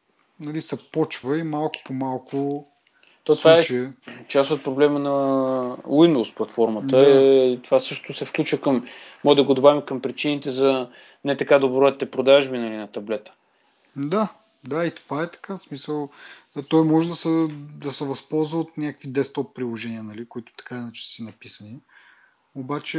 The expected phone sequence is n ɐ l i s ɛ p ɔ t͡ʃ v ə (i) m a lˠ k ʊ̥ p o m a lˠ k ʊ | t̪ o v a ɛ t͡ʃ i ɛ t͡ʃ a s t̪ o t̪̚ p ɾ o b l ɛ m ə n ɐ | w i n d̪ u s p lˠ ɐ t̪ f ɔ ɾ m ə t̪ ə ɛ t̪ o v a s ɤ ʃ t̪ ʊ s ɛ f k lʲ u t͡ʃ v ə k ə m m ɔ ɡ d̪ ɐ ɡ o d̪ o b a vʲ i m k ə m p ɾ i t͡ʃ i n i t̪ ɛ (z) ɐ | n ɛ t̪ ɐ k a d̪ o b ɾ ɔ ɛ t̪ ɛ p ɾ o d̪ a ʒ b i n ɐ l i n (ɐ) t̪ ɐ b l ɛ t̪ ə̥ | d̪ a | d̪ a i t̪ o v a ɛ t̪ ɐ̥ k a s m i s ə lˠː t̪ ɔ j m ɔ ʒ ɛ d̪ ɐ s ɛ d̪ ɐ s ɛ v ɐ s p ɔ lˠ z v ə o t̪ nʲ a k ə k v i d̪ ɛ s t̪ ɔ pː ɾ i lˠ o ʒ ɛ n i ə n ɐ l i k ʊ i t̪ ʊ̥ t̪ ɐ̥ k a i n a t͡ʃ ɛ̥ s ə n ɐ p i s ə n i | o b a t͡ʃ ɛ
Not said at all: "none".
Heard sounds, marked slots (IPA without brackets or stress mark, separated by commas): i, z, ɐ